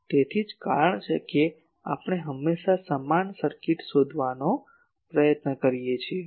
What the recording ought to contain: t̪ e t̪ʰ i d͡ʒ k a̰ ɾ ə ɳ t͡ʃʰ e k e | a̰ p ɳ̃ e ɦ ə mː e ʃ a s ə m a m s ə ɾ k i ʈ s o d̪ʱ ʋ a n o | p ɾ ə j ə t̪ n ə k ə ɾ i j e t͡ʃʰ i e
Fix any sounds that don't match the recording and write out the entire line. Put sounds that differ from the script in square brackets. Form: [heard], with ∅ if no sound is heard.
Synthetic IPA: t̪ e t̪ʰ i d͡ʒ k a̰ ɾ ə ɳ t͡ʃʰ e k e | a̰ p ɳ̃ e ɦ ə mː e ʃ a s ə m a [n] s ə ɾ k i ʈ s o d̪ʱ ʋ a n o | p ɾ ə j ə t̪ n ə k ə ɾ i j e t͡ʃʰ i e